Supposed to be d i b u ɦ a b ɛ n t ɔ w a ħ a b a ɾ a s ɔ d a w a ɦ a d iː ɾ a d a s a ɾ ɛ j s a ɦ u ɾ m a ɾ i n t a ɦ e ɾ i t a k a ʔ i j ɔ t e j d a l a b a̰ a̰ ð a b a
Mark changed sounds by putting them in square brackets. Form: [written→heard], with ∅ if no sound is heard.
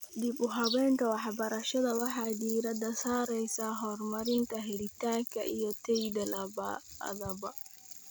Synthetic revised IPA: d i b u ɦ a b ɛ n t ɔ w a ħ a b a ɾ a [s→ʃ] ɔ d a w a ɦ a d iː ɾ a d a s a ɾ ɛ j s a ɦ [u→ɔ] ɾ m a ɾ i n t a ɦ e ɾ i t a k a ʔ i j ɔ t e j d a l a b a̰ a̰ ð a b a

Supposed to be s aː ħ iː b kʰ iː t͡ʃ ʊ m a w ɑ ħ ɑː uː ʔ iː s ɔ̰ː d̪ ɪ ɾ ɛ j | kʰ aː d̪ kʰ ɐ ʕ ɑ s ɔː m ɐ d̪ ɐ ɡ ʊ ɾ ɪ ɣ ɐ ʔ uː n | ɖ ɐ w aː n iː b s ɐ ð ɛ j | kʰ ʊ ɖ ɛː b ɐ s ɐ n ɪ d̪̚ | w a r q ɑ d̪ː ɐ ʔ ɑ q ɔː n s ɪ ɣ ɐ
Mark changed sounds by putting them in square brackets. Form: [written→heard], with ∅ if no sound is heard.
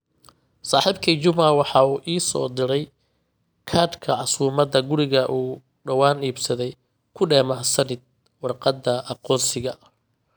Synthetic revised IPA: s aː ħ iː b kʰ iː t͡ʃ ʊ m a w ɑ ħ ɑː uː ʔ iː s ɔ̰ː d̪ ɪ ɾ ɛ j | kʰ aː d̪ kʰ ɐ ʕ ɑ s [ɔː→uː] m ɐ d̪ ɐ ɡ ʊ ɾ ɪ ɣ ɐ ʔ uː [n→∅] | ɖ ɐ w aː n iː b s ɐ ð ɛ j | kʰ ʊ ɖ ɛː [b→m] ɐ s ɐ n ɪ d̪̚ | w [a→ɑ] r q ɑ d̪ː ɐ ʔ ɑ q ɔː n s ɪ ɣ ɐ

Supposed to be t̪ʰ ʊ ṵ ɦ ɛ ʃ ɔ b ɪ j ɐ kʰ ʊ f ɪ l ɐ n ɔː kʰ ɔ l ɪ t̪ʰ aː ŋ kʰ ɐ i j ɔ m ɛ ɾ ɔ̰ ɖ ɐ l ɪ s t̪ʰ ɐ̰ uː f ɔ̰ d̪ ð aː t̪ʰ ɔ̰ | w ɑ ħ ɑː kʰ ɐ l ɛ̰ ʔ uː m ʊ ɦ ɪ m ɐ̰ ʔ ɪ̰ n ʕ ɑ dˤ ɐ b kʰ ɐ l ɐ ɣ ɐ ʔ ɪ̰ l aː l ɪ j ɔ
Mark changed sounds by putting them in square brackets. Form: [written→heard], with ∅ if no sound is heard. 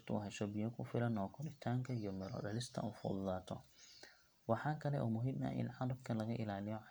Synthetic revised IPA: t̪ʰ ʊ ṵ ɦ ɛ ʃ ɔ b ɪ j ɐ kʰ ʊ f ɪ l ɐ n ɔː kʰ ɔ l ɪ t̪ʰ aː ŋ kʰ ɐ i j ɔ m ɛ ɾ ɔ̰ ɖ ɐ l ɪ s t̪ʰ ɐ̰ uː f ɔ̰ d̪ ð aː t̪ʰ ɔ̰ | w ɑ ħ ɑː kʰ ɐ l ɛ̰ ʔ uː m ʊ ɦ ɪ m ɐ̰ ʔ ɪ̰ n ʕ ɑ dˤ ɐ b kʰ ɐ l ɐ ɣ ɐ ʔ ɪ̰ l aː l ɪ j ɔ

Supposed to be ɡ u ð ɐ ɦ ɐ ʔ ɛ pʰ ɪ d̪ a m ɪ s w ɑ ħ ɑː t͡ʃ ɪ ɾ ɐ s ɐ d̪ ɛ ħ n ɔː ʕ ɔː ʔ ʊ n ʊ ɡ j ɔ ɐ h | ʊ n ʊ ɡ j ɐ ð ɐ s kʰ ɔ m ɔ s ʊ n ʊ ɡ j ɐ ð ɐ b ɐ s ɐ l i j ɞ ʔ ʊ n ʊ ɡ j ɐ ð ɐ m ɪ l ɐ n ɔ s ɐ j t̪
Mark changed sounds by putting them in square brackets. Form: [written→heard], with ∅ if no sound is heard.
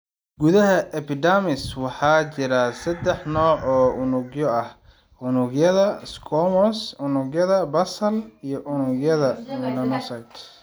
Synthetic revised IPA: ɡ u ð ɐ ɦ ɐ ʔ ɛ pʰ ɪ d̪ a m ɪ s w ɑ ħ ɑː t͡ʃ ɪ ɾ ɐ s ɐ d̪ ɛ ħ n ɔː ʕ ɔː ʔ ʊ n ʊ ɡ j ɔ ɐ h | ʊ n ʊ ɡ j ɐ ð ɐ s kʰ ɔ m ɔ s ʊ n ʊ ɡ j ɐ ð ɐ b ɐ s ɐ l i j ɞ ʔ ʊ n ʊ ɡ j ɐ ð ɐ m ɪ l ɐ n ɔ s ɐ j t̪

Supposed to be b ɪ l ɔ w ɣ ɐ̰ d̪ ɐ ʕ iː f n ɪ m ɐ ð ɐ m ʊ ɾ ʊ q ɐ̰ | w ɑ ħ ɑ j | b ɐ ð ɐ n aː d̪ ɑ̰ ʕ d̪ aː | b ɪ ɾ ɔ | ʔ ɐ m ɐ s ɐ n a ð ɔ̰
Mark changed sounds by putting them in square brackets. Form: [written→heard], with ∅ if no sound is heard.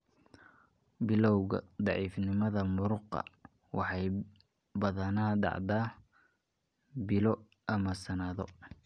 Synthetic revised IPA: b ɪ l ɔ w ɣ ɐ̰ d̪ [ɐ→ɑ] ʕ iː f n ɪ m ɐ ð ɐ m ʊ ɾ ʊ q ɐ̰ | w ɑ ħ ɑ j | b ɐ ð ɐ n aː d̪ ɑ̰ ʕ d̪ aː | b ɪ [ɾ→l] ɔ | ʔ ɐ m ɐ s ɐ n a ð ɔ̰

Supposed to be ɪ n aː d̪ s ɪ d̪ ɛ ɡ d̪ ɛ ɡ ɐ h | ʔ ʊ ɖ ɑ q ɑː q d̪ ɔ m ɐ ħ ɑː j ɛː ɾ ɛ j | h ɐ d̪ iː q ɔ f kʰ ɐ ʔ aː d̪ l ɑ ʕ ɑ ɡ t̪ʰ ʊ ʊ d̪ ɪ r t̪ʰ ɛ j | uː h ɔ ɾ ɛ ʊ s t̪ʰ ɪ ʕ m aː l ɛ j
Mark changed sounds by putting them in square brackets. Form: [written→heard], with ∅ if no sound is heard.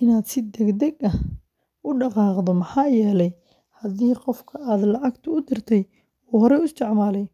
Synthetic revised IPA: ɪ n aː d̪ s ɪ d̪ ɛ ɡ d̪ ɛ ɡ ɐ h | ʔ ʊ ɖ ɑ q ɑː q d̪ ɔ m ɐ ħ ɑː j ɛː [ɾ→l] ɛ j | h ɐ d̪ iː q ɔ f kʰ ɐ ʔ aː d̪ l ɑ ʕ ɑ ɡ t̪ʰ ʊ ʊ d̪ ɪ r t̪ʰ ɛ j | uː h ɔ ɾ ɛ ʊ s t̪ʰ ɪ ʕ m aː l ɛ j

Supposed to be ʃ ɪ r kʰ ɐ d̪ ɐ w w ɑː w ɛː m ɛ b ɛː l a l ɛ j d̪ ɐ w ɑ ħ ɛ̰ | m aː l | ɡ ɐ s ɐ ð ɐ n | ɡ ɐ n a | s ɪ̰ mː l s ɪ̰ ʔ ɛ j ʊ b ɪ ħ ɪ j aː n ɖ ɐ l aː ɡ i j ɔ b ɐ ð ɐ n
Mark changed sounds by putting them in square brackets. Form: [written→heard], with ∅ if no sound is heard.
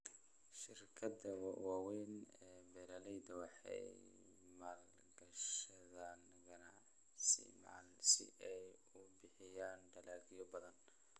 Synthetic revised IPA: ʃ ɪ r kʰ ɐ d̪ ɐ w w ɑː w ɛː [m→n] ɛ b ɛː [l→ɾ] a l ɛ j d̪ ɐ w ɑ ħ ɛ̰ | m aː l | ɡ ɐ [s→ʃ] ɐ ð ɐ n | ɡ ɐ n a | s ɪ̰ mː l s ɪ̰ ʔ ɛ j ʊ b ɪ ħ ɪ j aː n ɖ ɐ l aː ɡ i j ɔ b ɐ ð ɐ n

